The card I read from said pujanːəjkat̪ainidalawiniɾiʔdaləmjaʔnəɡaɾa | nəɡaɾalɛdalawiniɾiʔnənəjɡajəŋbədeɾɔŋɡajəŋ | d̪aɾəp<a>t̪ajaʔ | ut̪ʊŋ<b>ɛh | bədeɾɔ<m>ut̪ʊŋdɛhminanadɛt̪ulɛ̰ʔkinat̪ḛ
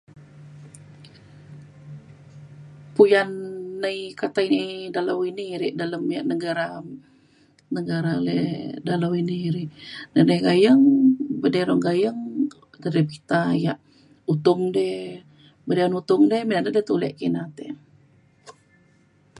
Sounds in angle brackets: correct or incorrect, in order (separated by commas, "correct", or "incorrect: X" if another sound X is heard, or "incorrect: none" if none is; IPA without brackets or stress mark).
incorrect: i, incorrect: d, incorrect: n